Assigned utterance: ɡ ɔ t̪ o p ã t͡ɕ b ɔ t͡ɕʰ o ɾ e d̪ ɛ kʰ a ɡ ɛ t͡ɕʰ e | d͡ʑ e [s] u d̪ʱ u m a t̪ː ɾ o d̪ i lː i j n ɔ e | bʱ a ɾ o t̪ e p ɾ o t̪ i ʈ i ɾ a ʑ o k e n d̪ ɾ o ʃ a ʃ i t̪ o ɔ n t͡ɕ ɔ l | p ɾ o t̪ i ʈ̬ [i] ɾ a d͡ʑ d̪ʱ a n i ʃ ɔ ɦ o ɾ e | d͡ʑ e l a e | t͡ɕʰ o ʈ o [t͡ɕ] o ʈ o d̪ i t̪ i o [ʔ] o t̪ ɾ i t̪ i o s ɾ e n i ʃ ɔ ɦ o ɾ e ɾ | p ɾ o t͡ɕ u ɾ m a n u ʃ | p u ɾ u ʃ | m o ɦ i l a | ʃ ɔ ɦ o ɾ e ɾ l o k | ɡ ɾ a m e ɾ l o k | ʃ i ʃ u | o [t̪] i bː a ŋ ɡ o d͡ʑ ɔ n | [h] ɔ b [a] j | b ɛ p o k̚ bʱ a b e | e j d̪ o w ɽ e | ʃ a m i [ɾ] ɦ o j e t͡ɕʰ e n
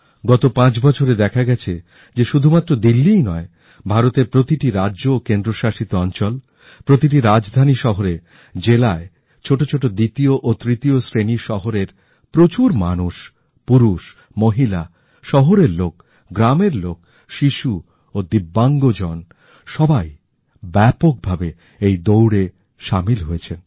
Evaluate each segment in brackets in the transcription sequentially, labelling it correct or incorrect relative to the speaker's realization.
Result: incorrect: ʃ, correct, incorrect: t͡ɕʰ, correct, incorrect: d̪, incorrect: ʃ, correct, incorrect: l

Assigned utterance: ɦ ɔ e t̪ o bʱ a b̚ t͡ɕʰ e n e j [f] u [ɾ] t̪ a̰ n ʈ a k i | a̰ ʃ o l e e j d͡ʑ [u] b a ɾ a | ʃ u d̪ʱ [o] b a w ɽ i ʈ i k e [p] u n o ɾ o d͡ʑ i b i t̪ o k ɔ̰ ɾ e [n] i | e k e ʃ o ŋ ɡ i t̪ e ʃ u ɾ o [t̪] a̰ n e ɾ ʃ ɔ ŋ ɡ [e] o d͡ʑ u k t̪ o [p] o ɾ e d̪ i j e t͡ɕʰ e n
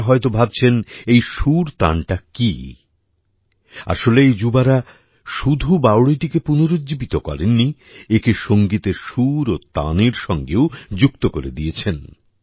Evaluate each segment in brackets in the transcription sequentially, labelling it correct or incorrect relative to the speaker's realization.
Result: incorrect: ʃ, correct, correct, incorrect: u, correct, incorrect: nː, correct, correct, incorrect: k

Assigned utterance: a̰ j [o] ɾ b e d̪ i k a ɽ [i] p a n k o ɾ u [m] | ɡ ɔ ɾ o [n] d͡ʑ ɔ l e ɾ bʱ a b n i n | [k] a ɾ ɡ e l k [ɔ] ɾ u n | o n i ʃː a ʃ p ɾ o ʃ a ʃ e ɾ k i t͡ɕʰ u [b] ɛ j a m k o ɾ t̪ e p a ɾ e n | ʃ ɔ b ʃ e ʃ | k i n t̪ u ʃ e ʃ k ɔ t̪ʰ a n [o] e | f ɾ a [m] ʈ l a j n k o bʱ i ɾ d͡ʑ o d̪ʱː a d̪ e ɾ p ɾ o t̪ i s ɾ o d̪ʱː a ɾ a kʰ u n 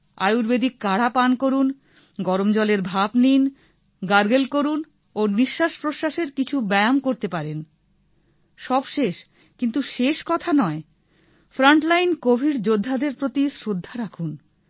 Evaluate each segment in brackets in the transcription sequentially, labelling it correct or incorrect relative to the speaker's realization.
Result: incorrect: u, incorrect: a, incorrect: n, incorrect: m, incorrect: ɡ, incorrect: o, correct, incorrect: ɔ, incorrect: ɳ

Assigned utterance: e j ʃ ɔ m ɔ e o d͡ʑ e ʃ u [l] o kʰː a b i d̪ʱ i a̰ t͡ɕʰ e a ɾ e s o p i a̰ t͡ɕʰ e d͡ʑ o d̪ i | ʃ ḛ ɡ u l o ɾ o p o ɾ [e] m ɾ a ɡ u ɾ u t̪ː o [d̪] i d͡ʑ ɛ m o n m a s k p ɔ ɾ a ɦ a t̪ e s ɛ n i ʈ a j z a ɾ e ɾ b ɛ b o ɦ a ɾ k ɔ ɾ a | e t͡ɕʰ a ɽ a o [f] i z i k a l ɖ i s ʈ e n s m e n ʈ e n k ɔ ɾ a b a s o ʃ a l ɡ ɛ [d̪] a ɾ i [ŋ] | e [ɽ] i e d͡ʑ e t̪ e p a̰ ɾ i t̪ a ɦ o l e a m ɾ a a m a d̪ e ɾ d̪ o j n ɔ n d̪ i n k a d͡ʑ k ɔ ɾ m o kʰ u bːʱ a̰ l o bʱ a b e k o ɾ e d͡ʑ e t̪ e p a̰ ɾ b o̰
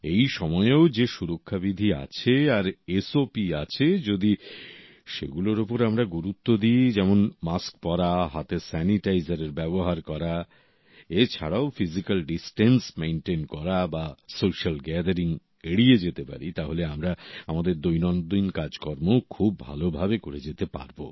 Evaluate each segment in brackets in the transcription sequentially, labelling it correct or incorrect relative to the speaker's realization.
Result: incorrect: ɾ, incorrect: a, correct, correct, correct, correct, correct

